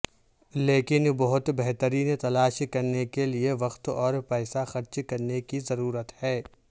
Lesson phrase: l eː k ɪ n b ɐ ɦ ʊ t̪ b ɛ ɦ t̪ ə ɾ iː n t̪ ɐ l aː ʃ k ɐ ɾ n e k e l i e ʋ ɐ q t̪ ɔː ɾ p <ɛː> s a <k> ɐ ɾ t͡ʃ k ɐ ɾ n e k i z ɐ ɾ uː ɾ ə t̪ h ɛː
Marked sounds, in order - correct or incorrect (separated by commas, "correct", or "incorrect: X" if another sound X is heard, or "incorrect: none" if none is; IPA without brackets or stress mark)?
correct, incorrect: x